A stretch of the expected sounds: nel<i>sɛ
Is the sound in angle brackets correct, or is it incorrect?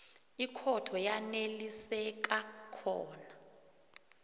correct